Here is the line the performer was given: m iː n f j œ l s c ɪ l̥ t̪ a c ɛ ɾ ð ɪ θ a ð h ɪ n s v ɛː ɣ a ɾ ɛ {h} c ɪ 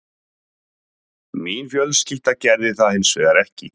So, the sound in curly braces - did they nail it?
yes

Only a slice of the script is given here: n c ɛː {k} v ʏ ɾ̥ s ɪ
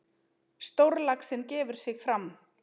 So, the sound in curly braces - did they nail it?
no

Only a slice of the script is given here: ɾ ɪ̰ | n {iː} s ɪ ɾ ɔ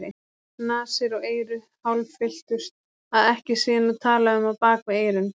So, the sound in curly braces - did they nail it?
no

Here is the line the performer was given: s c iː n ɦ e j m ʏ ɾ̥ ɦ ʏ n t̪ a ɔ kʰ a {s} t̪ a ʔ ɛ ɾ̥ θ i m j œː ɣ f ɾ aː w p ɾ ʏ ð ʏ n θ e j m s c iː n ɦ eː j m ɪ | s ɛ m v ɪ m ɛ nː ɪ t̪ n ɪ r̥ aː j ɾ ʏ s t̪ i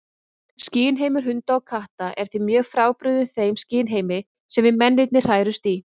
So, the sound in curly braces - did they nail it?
no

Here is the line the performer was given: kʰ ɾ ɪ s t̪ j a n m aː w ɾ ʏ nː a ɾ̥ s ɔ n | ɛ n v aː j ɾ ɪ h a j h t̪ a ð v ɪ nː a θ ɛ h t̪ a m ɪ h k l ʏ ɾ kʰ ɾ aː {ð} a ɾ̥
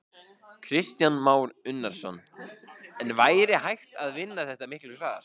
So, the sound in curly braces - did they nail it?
yes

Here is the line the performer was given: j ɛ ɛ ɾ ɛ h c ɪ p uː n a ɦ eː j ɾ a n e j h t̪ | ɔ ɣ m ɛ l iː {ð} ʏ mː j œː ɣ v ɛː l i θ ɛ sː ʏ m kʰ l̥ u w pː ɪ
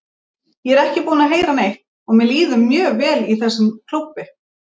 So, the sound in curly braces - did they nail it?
yes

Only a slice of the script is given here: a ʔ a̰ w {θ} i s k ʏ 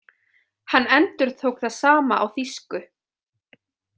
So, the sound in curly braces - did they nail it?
yes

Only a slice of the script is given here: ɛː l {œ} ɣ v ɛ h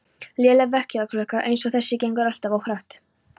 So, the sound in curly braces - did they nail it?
no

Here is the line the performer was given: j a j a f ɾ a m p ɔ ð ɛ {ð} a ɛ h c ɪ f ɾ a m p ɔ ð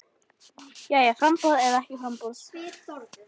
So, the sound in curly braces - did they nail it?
yes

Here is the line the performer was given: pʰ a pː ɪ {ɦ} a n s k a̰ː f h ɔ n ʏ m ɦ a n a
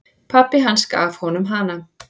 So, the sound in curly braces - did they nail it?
yes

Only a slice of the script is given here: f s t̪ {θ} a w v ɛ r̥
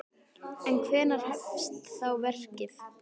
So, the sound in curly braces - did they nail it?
yes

